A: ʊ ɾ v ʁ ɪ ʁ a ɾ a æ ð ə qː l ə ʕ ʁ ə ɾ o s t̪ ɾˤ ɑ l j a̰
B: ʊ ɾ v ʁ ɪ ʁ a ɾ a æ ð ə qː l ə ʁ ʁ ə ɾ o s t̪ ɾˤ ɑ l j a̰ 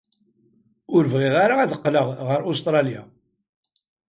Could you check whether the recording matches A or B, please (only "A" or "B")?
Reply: B